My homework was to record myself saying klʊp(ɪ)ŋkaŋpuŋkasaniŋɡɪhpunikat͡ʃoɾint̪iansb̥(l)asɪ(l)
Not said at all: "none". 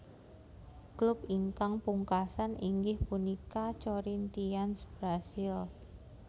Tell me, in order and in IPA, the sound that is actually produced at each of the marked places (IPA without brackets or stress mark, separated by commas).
i, ɾ, l